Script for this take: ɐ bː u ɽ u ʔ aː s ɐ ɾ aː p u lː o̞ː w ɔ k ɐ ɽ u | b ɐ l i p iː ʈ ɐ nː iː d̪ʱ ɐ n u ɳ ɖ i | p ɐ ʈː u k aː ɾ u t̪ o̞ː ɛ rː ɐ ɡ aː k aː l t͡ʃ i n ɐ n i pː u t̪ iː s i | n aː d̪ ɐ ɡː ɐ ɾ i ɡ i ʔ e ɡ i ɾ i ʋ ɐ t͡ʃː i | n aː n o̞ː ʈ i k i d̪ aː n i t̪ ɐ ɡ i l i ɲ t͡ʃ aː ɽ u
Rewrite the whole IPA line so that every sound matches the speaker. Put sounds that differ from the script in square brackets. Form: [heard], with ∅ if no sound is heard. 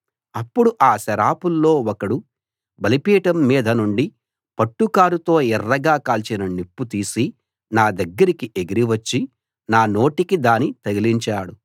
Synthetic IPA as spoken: ɐ [pː] u ɽ u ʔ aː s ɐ ɾ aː p u lː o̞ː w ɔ k ɐ ɽ u | b ɐ l i p iː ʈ ɐ [mː] iː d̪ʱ ɐ n u ɳ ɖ i | p ɐ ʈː u k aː ɾ u t̪ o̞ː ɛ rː ɐ ɡ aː k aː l t͡ʃ i n ɐ n i pː u t̪ iː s i | n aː d̪ ɐ ɡː ɐ ɾ i [k] i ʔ e ɡ i ɾ i ʋ ɐ t͡ʃː i | n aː n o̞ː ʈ i k i d̪ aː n i t̪ ɐ ɡ i l i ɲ t͡ʃ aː ɽ u

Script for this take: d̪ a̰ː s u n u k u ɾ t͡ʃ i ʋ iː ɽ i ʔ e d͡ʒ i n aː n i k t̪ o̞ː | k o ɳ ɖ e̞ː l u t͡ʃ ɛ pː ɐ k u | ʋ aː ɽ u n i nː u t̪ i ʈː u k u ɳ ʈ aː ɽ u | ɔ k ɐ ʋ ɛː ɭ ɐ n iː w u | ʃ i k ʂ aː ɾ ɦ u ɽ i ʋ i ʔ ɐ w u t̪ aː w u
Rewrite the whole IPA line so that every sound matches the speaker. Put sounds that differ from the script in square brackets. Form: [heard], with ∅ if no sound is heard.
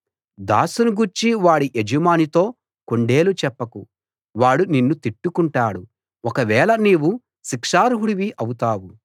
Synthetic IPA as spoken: d̪ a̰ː s u n u [ɡ] u ɾ t͡ʃ i ʋ [aː] ɽ i ʔ e d͡ʒ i [m] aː n i [∅] t̪ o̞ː | k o ɳ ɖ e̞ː l u t͡ʃ ɛ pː ɐ k u | ʋ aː ɽ u n i nː u t̪ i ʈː u k u ɳ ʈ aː ɽ u | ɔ k ɐ ʋ ɛː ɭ ɐ n iː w u | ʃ i k ʂ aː ɾ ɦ u ɽ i ʋ i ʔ ɐ w u t̪ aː w u

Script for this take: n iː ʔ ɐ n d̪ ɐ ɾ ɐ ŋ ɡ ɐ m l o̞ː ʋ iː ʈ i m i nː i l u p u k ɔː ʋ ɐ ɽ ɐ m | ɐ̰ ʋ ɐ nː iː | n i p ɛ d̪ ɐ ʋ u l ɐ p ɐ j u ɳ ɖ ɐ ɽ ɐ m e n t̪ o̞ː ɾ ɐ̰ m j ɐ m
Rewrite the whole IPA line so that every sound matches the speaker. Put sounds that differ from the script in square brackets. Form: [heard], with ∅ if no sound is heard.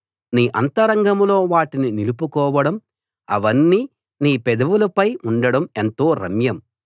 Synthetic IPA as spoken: n iː ʔ ɐ n [t̪] ɐ ɾ ɐ ŋ ɡ ɐ m l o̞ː ʋ [aː] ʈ i [n] i [n] i l u p u k ɔː ʋ ɐ ɽ ɐ m | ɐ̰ ʋ ɐ nː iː | n [iː] p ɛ d̪ ɐ ʋ u l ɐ p ɐ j u ɳ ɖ ɐ ɽ ɐ m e n t̪ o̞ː ɾ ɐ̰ m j ɐ m

